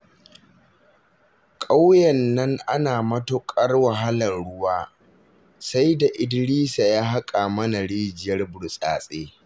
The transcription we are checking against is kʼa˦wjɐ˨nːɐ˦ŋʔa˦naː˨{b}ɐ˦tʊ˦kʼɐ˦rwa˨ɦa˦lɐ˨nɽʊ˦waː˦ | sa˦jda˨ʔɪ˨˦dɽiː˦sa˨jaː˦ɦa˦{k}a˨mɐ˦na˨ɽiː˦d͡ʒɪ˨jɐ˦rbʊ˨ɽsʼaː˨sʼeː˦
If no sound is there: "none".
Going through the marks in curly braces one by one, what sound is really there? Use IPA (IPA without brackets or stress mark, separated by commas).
m, kʼ